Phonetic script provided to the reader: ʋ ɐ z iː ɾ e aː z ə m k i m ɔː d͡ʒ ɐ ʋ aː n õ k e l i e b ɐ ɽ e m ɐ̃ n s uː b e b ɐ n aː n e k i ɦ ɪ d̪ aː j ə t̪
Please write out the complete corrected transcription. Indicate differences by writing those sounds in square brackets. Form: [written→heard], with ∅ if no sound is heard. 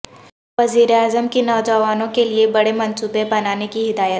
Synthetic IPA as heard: ʋ ɐ z iː ɾ e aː z ə m k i [m→n] ɔː d͡ʒ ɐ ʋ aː n õ k e l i e b ɐ ɽ e m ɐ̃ n s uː b e b ɐ n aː n e k i ɦ ɪ d̪ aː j ə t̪